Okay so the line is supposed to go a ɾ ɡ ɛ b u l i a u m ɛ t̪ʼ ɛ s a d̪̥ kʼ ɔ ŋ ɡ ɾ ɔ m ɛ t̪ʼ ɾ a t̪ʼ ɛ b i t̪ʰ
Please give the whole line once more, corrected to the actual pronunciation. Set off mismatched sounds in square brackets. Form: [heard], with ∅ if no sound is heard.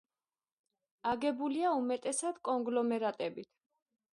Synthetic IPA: a [∅] ɡ ɛ b u l i a u m ɛ t̪ʼ ɛ s a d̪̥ kʼ ɔ ŋ ɡ [l] ɔ m ɛ [∅] ɾ a t̪ʼ ɛ b i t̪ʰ